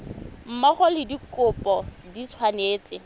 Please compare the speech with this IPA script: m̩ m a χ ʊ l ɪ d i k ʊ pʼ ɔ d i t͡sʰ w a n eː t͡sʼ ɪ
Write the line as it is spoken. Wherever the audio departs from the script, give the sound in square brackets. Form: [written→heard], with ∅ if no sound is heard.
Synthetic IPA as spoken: m̩ m a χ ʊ l ɪ d i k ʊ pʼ ɔ d i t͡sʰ w a n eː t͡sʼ ɪ